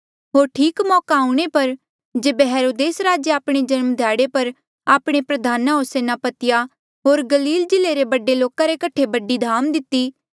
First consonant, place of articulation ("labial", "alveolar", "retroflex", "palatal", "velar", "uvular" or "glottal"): glottal